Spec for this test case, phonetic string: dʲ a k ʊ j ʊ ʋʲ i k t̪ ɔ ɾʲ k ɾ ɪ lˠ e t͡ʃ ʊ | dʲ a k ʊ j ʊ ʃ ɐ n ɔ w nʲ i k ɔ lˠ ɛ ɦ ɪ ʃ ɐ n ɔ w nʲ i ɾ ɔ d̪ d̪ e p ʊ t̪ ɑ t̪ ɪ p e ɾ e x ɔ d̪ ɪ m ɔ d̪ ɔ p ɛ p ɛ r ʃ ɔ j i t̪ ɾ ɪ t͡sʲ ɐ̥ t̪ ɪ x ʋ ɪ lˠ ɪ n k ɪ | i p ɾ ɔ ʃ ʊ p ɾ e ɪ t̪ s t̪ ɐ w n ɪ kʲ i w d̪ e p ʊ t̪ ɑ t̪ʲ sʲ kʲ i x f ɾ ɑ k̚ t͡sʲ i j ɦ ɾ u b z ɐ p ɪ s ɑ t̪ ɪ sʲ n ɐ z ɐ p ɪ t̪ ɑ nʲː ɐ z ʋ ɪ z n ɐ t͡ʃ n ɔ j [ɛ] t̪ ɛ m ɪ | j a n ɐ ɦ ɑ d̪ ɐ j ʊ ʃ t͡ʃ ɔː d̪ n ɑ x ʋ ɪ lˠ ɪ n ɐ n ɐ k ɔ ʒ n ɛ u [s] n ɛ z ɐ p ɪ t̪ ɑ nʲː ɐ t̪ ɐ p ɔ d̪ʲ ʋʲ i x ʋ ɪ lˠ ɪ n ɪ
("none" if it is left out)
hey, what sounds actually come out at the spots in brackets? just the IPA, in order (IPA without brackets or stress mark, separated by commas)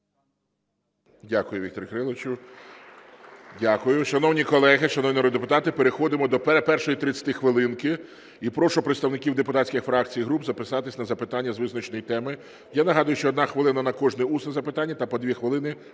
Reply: i, s